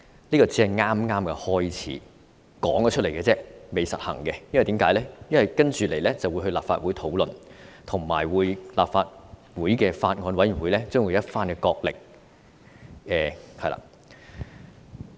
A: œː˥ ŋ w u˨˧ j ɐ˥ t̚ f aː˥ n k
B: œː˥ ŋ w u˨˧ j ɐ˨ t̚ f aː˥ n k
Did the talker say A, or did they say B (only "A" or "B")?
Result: A